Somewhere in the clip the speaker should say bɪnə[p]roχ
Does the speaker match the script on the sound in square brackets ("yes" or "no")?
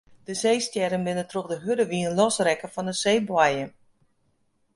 no